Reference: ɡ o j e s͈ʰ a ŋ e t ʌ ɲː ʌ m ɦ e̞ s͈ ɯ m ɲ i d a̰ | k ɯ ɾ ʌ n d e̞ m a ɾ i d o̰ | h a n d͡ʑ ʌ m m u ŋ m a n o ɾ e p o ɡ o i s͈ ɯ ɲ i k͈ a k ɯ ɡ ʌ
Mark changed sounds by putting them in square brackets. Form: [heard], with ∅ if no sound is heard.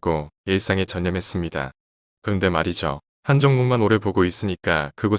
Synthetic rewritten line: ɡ o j e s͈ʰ a ŋ e [t͡ɕ] ʌ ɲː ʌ m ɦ e̞ s͈ ɯ m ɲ i d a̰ | k ɯ ɾ ʌ n d e̞ m a ɾ i [d͡ʑ] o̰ | h a n d͡ʑ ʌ [ŋ] m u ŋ m a n o ɾ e p o ɡ o i s͈ ɯ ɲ i k͈ a k ɯ ɡ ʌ